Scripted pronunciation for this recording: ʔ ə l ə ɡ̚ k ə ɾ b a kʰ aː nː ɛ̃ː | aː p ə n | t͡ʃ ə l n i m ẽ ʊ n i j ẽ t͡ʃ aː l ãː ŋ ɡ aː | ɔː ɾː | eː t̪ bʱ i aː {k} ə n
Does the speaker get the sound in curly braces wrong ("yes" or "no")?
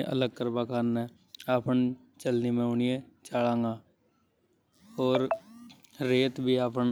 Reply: yes